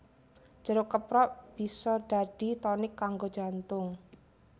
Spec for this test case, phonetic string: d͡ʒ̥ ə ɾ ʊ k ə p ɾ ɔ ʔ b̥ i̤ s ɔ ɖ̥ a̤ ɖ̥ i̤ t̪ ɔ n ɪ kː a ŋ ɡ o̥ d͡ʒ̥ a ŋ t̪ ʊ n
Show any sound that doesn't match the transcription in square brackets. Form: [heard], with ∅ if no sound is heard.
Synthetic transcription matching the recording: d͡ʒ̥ ə ɾ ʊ k ə p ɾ ɔ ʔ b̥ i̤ s ɔ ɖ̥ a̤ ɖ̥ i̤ t̪ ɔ n ɪ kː a ŋ ɡ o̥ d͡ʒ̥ a [n] t̪ ʊ [ŋ]